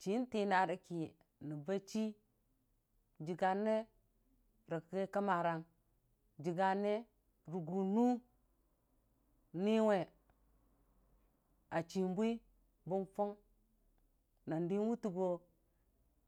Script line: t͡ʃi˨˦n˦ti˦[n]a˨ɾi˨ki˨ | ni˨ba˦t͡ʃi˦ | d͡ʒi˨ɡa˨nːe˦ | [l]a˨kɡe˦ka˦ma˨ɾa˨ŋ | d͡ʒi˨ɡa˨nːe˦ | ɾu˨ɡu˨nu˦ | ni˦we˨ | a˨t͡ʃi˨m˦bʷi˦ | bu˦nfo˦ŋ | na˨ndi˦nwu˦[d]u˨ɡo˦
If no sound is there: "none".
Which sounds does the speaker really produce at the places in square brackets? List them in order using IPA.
n, ɾ, t

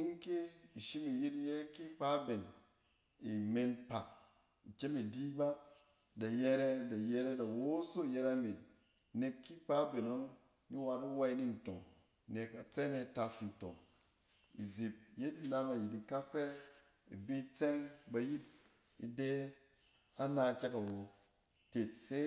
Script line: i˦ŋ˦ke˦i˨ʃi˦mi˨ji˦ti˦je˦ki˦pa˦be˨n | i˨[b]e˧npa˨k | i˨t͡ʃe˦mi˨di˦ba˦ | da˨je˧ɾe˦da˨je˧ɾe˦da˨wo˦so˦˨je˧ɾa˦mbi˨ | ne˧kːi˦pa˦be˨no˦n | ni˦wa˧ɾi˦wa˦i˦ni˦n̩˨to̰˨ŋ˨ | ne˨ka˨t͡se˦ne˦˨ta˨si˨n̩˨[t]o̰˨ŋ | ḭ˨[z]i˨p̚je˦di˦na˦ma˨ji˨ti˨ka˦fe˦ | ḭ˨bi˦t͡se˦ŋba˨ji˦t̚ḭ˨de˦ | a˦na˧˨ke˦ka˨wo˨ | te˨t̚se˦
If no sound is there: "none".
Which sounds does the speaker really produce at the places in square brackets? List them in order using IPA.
m, t, z

